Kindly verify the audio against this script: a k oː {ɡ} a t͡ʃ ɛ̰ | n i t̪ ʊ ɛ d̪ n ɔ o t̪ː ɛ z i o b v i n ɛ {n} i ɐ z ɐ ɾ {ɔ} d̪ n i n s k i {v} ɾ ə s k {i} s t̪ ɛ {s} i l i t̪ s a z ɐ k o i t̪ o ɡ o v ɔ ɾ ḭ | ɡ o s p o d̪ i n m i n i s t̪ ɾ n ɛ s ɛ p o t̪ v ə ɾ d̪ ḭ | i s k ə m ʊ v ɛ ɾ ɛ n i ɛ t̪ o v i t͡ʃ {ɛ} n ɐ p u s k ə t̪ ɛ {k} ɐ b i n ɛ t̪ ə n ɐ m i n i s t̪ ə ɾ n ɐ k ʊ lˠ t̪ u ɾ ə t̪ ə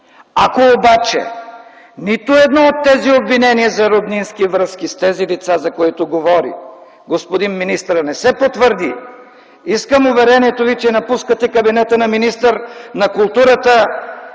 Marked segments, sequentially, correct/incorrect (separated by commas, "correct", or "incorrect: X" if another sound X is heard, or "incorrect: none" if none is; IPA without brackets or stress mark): incorrect: b, correct, incorrect: o, correct, correct, incorrect: z, correct, correct